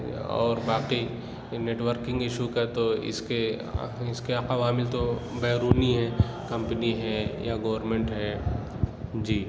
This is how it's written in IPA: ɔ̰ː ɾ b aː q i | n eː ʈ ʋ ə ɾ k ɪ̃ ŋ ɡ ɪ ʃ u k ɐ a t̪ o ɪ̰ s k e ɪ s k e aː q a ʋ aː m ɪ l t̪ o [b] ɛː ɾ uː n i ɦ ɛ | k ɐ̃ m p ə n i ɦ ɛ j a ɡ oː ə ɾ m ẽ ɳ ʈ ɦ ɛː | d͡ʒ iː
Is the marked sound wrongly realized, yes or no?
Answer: no